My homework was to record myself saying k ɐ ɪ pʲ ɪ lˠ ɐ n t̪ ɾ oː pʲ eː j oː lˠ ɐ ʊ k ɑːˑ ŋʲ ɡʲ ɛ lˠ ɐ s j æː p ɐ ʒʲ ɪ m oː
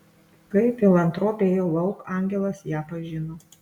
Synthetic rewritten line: k ɐ ɪ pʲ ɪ lˠ ɐ n t̪ ɾ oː pʲ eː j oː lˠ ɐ ʊ k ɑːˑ ŋʲ ɡʲ ɛ lˠ ɐ s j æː p ɐ ʒʲ ɪ n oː